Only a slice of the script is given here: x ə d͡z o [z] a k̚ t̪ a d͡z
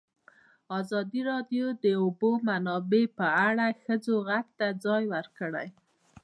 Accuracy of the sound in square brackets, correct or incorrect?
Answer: incorrect